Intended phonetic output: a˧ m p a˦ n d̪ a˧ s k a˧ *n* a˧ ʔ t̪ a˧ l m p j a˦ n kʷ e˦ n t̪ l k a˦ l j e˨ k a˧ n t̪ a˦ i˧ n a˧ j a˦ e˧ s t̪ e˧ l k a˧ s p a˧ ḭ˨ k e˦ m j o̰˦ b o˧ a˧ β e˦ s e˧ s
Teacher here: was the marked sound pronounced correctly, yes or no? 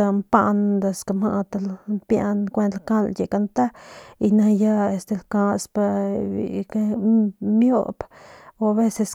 no